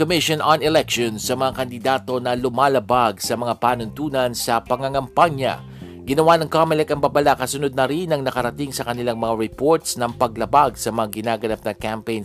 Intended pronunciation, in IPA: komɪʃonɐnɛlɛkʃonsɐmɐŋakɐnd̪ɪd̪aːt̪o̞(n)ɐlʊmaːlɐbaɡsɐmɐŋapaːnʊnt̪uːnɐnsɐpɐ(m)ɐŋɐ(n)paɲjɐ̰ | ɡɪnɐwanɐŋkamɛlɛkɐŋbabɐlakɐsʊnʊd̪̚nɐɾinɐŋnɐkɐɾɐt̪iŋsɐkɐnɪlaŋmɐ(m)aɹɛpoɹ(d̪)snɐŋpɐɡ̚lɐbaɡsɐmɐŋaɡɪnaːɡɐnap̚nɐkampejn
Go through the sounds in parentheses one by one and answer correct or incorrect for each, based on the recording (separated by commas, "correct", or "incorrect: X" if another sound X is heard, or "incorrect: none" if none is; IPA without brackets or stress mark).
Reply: correct, incorrect: ŋ, incorrect: m, incorrect: ŋ, incorrect: t̪